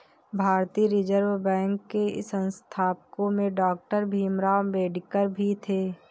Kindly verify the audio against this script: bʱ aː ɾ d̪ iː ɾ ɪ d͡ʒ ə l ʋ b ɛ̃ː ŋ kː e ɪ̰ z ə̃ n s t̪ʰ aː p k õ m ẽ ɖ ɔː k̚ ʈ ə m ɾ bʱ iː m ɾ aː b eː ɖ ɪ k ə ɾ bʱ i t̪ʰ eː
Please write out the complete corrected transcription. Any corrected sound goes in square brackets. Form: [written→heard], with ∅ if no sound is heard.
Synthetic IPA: bʱ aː ɾ [d̪→t̪] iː ɾ ɪ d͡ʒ ə [l→ɾ] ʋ b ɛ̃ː ŋ kː e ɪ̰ [z→s] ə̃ n s t̪ʰ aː p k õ m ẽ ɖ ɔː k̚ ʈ ə [m→∅] ɾ bʱ iː m ɾ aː b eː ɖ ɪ k ə ɾ bʱ i t̪ʰ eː